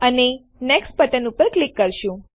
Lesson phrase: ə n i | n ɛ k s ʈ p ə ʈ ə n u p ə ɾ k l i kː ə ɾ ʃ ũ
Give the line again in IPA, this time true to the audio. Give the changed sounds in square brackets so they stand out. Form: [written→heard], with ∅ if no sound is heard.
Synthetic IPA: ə n [i→e] | n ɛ k s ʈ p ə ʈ ə n u p ə ɾ k l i kː ə ɾ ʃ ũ